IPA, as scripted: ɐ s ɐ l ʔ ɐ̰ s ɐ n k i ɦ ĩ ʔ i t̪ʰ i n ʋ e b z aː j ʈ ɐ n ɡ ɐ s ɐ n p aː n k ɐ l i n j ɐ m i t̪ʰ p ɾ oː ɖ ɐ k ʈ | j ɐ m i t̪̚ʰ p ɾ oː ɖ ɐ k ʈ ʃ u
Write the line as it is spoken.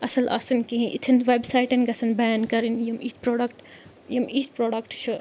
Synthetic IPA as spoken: ɐ s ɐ l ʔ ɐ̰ s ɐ n k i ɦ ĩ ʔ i t̪ʰ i n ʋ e b s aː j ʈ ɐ n ɡ ɐ s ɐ n b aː n k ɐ ɾ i n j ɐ m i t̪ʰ p ɾ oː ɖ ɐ k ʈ | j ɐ m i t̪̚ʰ p ɾ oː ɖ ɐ k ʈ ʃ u